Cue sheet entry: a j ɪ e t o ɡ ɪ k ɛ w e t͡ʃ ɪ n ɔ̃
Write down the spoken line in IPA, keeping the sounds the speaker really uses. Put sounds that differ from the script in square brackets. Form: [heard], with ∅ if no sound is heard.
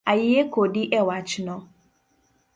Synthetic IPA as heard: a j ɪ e [k] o [d] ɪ [ʔ] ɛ w [a] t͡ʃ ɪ n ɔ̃